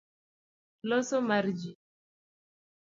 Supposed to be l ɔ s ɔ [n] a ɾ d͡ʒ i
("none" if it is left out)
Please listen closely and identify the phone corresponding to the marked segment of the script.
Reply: m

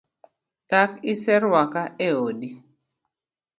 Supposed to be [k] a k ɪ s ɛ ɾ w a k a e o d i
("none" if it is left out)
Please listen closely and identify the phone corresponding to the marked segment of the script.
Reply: t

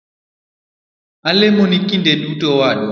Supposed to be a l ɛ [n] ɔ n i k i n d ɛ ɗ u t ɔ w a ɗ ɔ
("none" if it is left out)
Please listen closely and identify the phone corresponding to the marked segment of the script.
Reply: m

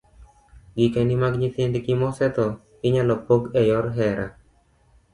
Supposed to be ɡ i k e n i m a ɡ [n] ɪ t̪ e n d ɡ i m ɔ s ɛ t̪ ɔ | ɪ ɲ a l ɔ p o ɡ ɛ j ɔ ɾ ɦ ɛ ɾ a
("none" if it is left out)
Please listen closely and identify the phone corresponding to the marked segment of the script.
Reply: ɲ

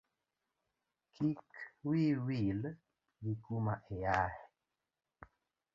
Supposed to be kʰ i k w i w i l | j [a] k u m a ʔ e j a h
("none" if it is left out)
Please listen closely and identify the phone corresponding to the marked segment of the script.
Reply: i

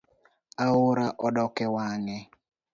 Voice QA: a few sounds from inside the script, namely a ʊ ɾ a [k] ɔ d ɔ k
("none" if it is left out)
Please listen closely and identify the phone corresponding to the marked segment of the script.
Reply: ʔ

